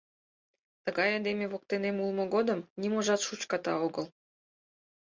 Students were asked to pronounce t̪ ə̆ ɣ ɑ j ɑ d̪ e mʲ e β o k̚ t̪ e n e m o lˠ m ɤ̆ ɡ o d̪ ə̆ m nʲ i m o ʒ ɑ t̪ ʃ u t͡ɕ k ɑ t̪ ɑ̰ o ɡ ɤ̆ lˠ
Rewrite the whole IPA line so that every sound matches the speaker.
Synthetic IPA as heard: t̪ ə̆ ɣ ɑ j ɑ d̪ e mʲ e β o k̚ t̪ e n e m u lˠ m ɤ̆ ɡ o d̪ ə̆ m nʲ i m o ʒ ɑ t̪ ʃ u t͡ɕ k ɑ t̪ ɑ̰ o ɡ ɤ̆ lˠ